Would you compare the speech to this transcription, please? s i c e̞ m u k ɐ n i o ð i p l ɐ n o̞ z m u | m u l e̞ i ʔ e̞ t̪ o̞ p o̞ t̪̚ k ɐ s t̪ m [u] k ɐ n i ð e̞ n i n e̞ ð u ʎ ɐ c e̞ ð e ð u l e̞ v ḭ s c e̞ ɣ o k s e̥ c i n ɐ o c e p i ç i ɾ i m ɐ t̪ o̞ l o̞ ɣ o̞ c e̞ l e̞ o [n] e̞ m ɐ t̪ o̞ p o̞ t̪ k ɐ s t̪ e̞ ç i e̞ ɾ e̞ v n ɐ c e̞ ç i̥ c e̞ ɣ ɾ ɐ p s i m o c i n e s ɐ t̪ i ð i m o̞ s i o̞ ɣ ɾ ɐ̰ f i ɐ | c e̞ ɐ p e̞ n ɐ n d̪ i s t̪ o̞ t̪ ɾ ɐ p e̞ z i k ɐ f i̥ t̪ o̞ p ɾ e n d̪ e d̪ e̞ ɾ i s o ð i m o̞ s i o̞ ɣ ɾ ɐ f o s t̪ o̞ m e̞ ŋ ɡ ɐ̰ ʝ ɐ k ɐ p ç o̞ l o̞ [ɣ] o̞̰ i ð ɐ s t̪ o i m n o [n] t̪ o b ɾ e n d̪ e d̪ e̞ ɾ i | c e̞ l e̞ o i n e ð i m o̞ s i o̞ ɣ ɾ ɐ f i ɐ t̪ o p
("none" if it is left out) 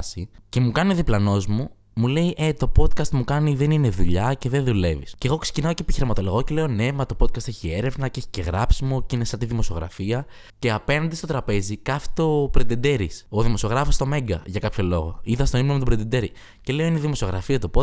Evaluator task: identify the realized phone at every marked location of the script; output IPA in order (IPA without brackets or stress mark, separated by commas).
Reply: u, n, ɣ, m